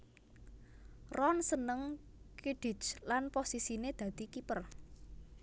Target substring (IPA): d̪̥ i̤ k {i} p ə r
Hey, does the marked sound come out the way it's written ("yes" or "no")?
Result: yes